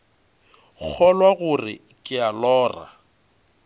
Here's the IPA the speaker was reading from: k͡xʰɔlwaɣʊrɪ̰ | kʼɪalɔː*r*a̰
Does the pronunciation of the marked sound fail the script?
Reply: no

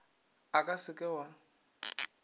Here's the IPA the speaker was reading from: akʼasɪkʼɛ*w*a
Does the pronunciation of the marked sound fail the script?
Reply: no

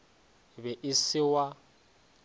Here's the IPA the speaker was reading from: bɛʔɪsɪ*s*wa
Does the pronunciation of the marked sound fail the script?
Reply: yes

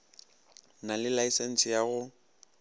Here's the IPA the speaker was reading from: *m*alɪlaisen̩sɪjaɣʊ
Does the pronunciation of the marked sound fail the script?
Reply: yes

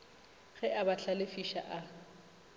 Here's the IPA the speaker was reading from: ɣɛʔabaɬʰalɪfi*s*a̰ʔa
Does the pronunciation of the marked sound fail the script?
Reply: yes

